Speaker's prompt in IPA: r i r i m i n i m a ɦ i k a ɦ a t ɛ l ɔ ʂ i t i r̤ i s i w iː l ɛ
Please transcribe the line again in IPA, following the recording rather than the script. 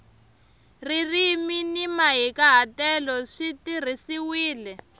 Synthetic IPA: r i r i m i n i m a ɦ i k a ɦ a t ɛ l ɔ ʂ i t i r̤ i s i w iː l ɛ